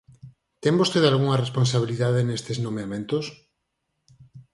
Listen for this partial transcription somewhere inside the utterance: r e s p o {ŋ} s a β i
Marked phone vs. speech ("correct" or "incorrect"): incorrect